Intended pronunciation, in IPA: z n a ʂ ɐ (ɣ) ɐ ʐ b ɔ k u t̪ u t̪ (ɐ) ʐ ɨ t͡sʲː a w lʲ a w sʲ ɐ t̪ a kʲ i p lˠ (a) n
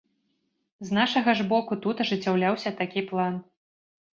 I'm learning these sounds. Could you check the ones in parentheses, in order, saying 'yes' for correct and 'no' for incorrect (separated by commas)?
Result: yes, yes, yes